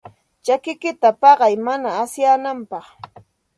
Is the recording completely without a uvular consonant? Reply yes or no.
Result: no